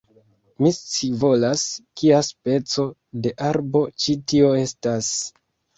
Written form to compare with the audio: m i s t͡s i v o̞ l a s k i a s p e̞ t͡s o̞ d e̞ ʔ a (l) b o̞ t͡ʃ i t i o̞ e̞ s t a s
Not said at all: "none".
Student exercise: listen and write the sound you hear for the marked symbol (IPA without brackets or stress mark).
ɾ